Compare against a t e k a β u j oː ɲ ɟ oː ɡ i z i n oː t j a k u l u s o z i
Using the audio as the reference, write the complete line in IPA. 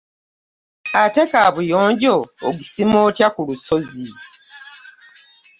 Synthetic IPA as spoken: a t e k a β u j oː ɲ ɟ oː ɡ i s i m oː t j a k u l u s o z i